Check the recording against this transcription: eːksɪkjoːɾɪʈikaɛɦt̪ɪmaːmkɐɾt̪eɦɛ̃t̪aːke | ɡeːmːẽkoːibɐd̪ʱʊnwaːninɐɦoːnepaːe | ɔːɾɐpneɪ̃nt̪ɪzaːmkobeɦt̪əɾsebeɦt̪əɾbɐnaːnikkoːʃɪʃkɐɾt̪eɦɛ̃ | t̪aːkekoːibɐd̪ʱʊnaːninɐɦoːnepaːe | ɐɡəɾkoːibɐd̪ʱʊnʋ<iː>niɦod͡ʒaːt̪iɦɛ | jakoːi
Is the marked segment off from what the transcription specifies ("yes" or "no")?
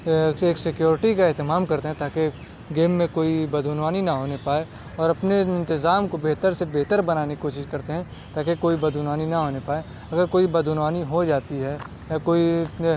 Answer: yes